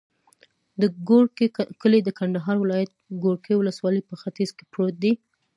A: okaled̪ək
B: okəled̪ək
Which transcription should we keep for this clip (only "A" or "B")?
B